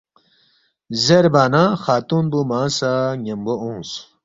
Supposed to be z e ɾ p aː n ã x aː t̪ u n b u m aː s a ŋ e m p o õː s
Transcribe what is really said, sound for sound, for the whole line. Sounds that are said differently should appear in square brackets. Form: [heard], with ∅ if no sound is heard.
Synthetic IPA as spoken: z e ɾ [b] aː n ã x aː t̪ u n b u m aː s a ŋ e m [b] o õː s